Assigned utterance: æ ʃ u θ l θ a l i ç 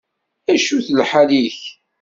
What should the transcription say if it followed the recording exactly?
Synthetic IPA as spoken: æ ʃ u θ l ħ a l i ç